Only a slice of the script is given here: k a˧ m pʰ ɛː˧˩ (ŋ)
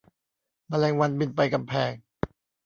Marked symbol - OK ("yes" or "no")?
yes